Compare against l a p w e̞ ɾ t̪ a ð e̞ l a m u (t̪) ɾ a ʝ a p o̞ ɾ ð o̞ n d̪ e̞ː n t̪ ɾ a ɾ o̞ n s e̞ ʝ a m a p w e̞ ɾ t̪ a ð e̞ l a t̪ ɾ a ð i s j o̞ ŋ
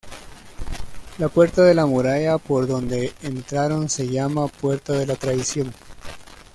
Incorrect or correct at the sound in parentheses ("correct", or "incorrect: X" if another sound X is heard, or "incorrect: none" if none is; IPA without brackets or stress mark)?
incorrect: none